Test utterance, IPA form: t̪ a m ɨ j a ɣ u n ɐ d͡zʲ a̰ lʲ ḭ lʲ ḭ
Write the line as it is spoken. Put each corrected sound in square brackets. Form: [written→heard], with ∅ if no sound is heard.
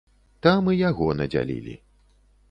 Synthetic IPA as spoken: t̪ a m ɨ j a ɣ [u→ɔ] n ɐ d͡zʲ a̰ lʲ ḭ lʲ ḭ